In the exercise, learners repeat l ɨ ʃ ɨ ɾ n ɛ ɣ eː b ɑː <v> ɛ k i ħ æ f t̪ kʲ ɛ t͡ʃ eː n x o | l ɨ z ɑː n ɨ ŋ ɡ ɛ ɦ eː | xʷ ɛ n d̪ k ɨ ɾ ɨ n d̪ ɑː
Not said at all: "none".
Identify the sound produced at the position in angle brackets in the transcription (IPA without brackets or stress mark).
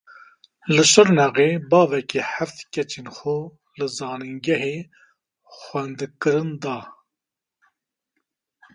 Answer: v